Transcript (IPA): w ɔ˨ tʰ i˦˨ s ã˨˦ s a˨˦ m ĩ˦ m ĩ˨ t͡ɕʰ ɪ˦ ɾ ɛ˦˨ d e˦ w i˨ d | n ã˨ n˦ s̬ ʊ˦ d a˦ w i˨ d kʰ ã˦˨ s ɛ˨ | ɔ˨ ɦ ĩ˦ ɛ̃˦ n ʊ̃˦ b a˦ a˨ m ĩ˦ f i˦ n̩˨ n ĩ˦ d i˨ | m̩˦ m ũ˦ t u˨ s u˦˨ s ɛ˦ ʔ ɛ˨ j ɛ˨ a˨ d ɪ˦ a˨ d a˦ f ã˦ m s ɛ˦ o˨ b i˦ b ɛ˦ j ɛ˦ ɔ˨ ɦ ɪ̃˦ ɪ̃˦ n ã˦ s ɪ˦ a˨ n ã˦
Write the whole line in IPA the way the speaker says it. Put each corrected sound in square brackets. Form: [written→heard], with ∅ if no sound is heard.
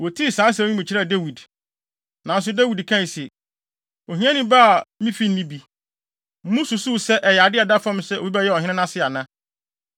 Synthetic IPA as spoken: w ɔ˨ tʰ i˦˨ s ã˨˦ s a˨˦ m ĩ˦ m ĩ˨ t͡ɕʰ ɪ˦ ɾ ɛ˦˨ d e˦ w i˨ d | n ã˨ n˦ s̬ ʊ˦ d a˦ w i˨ d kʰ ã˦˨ s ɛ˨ | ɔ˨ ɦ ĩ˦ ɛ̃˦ n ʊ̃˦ b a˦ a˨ m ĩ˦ f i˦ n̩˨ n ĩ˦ [d→b] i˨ | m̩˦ m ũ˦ [t→s] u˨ s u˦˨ s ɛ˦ ʔ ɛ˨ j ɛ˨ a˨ d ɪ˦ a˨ d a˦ f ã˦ m s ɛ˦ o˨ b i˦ b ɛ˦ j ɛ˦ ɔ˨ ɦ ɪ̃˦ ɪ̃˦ n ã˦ s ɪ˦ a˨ n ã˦

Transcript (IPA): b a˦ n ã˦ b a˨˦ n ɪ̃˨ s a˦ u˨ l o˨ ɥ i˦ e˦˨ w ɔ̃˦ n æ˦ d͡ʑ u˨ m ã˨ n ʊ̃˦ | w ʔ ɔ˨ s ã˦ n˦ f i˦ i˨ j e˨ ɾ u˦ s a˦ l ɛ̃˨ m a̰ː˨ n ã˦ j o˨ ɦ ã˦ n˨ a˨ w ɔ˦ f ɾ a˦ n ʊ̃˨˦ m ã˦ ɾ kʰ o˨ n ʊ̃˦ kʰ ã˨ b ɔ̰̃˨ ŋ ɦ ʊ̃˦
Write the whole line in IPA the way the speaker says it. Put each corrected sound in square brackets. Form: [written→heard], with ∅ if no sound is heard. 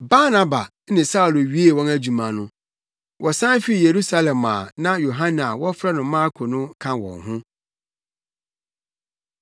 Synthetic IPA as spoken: b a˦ n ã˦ b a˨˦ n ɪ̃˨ s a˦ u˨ l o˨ ɥ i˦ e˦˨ w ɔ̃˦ n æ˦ d͡ʑ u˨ m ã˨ n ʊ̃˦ | w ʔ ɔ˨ s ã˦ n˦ f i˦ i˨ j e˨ ɾ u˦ s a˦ l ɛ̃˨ m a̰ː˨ n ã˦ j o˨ ɦ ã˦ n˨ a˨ w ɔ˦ f ɾ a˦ n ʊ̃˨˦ m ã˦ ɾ kʰ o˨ n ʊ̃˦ kʰ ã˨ [b→w] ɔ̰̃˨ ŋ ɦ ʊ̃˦

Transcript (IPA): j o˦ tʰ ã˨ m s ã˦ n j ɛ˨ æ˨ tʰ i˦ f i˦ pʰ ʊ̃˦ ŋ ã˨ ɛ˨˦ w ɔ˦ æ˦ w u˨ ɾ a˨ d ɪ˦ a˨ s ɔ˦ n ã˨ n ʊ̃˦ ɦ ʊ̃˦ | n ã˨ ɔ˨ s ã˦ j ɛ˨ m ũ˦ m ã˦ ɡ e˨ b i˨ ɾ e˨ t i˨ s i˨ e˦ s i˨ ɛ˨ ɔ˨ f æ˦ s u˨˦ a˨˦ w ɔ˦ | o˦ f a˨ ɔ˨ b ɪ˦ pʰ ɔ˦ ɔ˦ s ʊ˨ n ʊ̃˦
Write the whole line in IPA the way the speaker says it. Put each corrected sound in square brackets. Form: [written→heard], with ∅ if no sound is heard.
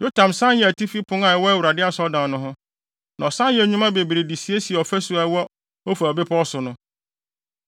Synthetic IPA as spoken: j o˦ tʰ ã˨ m s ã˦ n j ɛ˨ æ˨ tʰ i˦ f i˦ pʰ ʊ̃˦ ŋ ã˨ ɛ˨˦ w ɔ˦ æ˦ w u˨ ɾ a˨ d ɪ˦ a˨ s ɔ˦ [n→d] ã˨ n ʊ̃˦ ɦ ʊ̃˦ | n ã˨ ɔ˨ s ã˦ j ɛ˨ [m→ɲ] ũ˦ m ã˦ [ɡ→b] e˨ b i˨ ɾ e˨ [t→d] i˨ s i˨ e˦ s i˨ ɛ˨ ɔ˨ f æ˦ s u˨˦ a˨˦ w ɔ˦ | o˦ f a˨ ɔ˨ b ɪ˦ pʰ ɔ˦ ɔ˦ s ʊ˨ n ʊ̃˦

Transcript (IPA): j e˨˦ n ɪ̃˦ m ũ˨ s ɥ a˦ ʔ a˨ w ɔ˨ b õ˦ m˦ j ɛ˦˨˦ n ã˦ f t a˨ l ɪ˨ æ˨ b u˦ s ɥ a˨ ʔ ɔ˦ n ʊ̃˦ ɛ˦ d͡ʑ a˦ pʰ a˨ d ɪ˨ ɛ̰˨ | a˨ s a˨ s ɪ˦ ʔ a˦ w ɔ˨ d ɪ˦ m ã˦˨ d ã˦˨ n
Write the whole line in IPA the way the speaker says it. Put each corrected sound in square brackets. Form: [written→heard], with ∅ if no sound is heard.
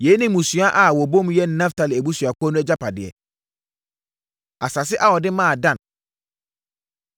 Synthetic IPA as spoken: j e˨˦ n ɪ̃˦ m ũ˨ s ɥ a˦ ʔ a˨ w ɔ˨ b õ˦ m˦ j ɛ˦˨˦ n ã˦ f t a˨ l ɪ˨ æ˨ b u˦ s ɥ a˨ [ʔ→k] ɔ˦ n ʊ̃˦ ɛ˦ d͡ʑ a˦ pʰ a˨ d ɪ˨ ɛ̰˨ | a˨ s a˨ s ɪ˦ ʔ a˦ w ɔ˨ d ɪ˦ m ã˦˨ d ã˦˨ n

